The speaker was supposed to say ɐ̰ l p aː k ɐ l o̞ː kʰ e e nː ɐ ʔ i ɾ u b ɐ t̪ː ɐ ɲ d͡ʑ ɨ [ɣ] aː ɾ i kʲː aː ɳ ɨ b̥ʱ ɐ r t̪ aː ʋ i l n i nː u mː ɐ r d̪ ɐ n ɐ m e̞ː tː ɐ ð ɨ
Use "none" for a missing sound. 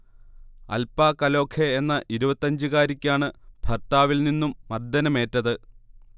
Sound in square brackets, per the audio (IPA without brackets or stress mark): ɣ